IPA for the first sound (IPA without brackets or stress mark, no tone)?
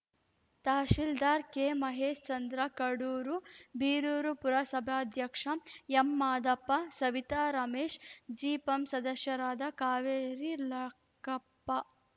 t̪